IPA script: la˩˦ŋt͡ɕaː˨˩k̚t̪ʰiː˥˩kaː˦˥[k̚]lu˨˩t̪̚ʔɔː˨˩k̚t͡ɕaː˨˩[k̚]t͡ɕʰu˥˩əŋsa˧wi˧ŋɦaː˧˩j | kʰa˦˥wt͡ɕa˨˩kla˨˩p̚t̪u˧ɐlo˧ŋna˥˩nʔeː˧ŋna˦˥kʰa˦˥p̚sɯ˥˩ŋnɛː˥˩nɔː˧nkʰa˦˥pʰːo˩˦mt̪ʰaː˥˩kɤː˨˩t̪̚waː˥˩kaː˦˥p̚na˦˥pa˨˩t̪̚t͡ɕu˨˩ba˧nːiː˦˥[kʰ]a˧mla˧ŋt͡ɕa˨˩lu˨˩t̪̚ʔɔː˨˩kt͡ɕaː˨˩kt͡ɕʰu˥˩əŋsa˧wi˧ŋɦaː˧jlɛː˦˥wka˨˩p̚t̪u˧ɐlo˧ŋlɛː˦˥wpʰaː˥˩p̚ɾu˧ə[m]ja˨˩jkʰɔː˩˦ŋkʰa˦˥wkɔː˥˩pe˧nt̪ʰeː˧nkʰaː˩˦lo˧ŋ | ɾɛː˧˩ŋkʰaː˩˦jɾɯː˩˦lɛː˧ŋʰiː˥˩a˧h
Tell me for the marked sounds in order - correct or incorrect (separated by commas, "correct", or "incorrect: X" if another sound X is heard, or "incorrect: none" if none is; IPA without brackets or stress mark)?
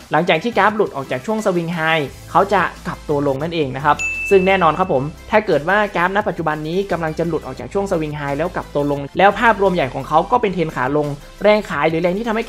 incorrect: p̚, correct, incorrect: k, correct